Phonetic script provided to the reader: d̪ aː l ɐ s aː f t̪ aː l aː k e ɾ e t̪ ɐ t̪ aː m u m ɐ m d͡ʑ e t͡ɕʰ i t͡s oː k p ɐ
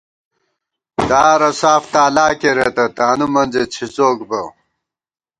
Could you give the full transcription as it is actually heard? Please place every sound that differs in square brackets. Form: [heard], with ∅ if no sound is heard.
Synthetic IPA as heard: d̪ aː [ɾ] ɐ s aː f t̪ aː l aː k e ɾ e t̪ ɐ t̪ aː [n] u m ɐ [n] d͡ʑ e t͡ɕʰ i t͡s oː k [b] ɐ